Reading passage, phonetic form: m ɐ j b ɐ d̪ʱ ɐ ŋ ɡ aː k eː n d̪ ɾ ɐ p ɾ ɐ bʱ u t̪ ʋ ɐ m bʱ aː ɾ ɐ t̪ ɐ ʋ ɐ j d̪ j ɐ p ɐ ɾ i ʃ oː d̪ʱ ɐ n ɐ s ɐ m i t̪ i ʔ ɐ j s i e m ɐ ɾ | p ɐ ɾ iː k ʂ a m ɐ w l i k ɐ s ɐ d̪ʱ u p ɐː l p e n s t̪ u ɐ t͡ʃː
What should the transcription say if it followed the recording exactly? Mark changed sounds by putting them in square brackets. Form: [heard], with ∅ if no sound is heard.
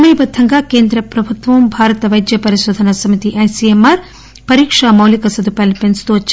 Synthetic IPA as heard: m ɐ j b ɐ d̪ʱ ɐ ŋ ɡ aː k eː n d̪ ɾ ɐ p ɾ ɐ bʱ u t̪ ʋ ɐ m bʱ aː ɾ ɐ t̪ ɐ ʋ ɐ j d̪ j ɐ p ɐ ɾ i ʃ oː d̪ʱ ɐ n ɐ s ɐ m i t̪ i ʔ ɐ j s i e m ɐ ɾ | p ɐ ɾ iː k ʂ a m ɐ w l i k ɐ s ɐ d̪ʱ u p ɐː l p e n s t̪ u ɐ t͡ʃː